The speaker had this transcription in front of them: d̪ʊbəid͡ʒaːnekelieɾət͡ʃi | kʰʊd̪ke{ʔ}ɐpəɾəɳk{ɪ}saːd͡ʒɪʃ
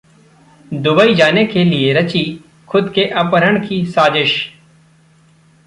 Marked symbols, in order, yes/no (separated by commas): yes, no